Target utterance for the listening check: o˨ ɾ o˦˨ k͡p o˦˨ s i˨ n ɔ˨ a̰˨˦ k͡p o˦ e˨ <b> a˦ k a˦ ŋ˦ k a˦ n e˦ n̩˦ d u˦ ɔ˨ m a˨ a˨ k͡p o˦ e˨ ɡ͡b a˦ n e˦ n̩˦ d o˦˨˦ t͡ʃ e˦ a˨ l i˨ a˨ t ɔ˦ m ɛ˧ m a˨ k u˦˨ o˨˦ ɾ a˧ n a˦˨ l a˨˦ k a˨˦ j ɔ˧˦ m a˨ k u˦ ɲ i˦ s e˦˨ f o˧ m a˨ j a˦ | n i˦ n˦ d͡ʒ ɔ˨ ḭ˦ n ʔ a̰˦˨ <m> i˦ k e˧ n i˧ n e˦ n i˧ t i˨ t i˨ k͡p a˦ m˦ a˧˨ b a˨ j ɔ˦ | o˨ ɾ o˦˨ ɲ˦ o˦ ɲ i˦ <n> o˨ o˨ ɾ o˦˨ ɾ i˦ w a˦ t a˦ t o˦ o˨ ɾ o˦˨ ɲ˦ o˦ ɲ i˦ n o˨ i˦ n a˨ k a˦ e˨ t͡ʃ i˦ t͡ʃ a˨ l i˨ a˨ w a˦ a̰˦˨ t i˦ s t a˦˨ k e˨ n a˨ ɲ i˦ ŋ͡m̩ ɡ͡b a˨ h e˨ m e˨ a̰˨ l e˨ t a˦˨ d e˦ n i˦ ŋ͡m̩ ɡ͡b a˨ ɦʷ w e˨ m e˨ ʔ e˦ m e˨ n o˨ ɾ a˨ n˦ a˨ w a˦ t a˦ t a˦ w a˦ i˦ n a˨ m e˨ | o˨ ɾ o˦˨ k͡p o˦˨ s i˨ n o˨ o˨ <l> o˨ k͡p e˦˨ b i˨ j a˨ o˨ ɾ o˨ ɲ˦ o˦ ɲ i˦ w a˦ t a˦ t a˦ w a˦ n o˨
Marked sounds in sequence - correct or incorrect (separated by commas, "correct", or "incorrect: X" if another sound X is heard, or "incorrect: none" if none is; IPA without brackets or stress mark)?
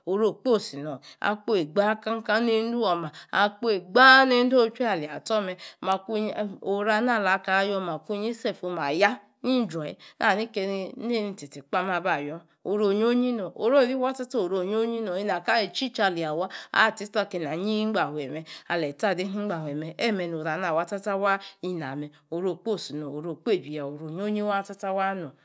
incorrect: ɡ͡b, incorrect: n, correct, incorrect: ɾ